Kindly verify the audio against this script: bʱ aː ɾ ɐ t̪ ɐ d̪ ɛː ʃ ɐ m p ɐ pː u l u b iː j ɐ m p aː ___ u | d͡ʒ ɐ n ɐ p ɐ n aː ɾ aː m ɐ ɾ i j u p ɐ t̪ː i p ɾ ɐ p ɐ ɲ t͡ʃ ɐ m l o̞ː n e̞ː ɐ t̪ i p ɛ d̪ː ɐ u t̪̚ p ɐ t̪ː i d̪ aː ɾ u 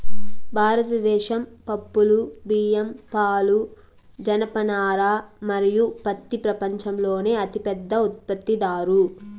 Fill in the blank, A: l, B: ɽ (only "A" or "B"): A